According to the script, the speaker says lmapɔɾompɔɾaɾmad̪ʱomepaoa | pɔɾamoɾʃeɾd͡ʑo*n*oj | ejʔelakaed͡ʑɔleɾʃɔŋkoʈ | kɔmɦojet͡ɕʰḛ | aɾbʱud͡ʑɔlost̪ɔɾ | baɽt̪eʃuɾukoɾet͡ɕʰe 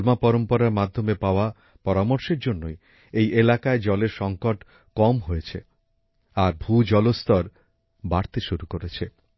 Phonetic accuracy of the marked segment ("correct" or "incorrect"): incorrect